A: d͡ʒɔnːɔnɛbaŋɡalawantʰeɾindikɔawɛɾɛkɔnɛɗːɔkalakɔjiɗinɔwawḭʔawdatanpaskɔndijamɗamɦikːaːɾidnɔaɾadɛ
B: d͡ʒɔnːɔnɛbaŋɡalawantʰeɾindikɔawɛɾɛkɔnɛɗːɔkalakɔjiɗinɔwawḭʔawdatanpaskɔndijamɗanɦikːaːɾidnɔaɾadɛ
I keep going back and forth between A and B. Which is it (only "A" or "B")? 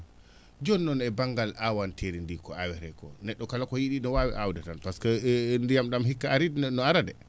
A